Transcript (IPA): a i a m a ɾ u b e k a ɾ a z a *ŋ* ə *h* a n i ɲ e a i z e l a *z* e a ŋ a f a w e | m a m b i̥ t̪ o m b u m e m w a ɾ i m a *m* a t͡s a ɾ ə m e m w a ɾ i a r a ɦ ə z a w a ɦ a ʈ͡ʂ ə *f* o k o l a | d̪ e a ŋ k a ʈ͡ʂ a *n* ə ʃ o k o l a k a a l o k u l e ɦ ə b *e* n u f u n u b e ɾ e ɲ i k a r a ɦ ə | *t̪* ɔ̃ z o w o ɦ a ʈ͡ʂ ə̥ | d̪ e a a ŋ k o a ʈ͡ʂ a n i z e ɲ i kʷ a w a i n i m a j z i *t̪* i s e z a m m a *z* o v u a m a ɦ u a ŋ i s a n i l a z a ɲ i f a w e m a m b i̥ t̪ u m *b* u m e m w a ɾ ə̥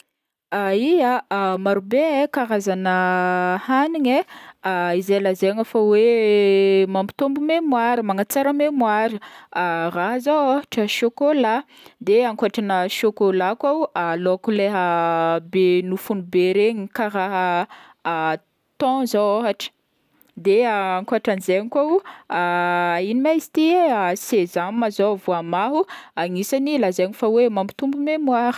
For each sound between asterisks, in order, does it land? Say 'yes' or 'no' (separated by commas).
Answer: no, yes, yes, no, no, yes, yes, yes, yes, yes, yes